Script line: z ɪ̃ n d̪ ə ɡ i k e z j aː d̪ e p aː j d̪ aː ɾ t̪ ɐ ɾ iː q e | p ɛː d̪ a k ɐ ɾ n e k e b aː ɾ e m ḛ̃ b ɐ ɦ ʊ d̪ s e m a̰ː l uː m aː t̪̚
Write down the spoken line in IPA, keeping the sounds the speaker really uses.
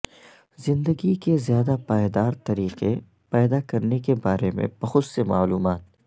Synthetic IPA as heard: z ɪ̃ n d̪ ə ɡ i k e z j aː d̪ a p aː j d̪ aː ɾ t̪ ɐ ɾ iː q e | p ɛː d̪ a k ɐ ɾ n e k e b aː ɾ e m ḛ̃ b ɐ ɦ ʊ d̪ s e m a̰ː l uː m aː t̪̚